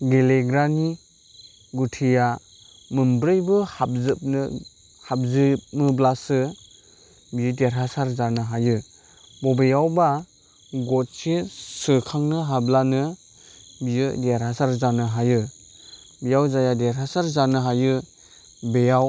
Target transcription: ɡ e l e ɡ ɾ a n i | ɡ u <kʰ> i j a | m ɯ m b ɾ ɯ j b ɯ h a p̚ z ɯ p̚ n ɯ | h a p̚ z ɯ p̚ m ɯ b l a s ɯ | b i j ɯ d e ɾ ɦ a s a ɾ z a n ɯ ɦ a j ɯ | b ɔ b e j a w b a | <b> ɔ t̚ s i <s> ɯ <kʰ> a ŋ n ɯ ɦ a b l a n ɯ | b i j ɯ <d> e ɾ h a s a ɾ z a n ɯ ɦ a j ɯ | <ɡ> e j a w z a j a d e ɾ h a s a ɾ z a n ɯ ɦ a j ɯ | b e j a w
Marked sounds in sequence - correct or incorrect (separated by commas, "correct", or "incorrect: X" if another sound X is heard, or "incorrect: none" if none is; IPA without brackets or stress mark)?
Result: incorrect: tʰ, incorrect: ɡ, correct, correct, correct, incorrect: b